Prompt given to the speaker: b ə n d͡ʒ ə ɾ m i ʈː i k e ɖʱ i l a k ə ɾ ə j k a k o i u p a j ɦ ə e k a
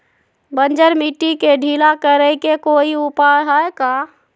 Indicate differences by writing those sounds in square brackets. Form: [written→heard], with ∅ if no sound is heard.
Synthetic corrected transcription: b ə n d͡ʒ ə ɾ m i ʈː i k e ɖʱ i l a k ə ɾ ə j k [a→e] k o i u p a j ɦ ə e k a